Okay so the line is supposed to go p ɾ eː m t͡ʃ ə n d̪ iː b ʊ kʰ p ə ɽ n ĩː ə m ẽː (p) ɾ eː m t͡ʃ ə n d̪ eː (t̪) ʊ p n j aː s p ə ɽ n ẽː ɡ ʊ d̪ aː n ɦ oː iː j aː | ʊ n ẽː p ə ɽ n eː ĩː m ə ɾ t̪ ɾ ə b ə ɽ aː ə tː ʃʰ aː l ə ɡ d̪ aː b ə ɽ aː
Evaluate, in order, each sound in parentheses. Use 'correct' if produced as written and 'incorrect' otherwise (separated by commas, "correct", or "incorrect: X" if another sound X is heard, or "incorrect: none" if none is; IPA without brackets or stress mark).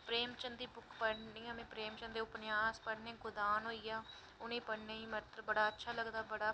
correct, incorrect: none